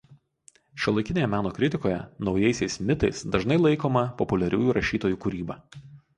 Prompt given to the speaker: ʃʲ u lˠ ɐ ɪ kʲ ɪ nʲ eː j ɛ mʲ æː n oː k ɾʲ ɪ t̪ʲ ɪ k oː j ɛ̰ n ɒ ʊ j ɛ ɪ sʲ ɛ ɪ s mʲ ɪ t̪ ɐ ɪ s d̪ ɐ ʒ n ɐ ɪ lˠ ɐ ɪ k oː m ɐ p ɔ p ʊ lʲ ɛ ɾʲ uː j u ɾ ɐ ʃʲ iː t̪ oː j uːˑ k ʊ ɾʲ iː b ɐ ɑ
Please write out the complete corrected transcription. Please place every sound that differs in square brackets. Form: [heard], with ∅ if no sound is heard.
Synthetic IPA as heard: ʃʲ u lˠ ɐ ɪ kʲ ɪ nʲ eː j ɛ mʲ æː n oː k ɾʲ ɪ t̪ʲ ɪ k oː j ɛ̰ n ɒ ʊ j ɛ ɪ sʲ ɛ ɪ s mʲ ɪ t̪ ɐ ɪ s d̪ ɐ ʒ n ɐ ɪ lˠ ɐ ɪ k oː m ɐ p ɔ p ʊ lʲ ɛ ɾʲ uː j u ɾ ɐ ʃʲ iː t̪ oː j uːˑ k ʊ ɾʲ iː b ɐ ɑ